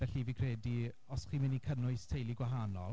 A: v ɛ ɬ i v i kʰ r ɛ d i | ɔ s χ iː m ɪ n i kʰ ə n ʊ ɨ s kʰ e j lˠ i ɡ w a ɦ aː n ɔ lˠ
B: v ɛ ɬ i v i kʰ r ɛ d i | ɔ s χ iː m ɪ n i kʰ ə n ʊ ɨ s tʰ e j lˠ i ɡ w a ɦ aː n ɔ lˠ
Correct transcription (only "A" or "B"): B